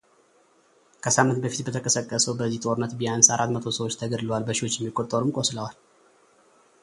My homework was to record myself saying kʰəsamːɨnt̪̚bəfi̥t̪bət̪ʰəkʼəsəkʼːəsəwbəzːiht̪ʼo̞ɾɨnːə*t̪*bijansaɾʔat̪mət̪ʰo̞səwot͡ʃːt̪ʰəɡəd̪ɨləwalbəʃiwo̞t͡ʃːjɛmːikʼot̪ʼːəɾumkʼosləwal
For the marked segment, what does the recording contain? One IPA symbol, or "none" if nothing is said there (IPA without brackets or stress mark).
t̪